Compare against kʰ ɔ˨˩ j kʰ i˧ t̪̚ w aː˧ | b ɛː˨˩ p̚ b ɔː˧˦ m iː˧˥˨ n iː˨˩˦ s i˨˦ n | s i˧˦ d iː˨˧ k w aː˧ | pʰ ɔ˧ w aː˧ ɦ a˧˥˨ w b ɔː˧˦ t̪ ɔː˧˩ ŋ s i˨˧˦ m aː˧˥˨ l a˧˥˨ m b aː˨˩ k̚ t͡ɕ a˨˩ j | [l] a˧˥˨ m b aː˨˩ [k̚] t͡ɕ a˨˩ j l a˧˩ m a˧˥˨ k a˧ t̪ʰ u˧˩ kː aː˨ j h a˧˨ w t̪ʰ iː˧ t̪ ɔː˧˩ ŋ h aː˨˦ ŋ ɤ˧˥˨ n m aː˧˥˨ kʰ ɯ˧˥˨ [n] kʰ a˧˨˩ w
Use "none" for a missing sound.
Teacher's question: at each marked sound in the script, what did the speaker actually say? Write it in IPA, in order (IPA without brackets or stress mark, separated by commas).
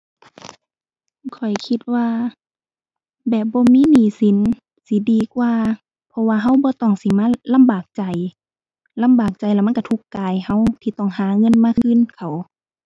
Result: l, k̚, n